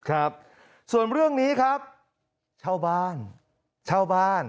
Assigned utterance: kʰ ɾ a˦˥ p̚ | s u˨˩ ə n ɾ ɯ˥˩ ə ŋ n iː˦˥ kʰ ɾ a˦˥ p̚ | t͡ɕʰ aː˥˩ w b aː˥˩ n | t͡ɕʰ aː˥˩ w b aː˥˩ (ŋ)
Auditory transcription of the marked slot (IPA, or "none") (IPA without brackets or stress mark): n